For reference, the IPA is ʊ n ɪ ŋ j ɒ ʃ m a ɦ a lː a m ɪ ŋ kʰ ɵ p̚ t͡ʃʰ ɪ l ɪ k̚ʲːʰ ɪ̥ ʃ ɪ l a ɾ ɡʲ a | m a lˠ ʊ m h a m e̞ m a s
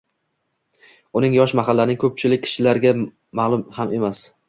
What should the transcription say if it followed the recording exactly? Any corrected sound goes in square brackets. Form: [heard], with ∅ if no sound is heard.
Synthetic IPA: ʊ n ɪ ŋ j ɒ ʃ m a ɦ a lː a [n] ɪ ŋ kʰ ɵ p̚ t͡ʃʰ ɪ l ɪ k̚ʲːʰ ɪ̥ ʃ ɪ l a ɾ ɡʲ a | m a lˠ ʊ m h a m e̞ m a s